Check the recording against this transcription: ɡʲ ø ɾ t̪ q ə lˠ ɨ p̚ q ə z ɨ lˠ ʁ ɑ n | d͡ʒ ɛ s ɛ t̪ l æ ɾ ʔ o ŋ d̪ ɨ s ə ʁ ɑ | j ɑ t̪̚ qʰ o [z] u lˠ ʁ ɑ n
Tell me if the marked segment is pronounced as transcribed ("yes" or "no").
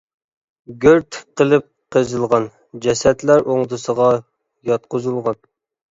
yes